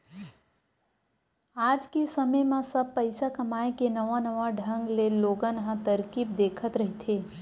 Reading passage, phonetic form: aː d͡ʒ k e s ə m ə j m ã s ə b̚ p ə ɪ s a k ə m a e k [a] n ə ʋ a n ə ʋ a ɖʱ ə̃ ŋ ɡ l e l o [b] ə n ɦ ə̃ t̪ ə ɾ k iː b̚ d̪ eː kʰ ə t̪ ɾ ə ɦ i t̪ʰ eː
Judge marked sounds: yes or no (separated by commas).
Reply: no, no